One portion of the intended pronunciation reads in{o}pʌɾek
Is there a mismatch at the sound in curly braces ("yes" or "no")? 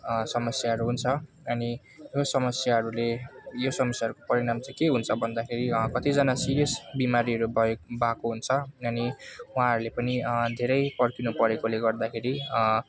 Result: yes